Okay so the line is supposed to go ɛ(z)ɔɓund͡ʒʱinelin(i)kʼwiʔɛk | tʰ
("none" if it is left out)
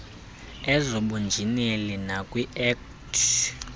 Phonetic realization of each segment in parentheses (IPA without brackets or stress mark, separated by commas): z, a